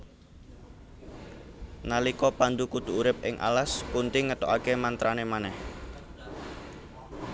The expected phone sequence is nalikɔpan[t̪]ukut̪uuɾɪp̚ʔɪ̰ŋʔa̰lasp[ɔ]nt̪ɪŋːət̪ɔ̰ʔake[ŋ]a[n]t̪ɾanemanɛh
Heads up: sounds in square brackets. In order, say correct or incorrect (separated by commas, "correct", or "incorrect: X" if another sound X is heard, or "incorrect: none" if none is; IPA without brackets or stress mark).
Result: incorrect: d̪, incorrect: u, incorrect: m, correct